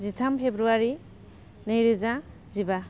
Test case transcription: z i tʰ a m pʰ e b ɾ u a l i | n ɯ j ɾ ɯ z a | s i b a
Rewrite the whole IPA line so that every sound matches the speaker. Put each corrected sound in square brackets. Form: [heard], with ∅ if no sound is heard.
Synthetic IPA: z i tʰ a m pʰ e b ɾ u a [ɾ] i | n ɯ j ɾ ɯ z a | [z] i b a